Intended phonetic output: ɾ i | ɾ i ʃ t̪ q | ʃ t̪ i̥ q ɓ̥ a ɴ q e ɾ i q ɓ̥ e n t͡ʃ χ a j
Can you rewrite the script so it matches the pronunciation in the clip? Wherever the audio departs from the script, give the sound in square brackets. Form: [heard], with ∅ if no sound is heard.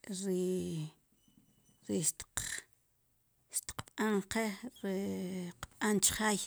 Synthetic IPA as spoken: ɾ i | ɾ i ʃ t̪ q | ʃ t̪ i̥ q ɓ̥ a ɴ q e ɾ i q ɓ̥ [a] n t͡ʃ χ a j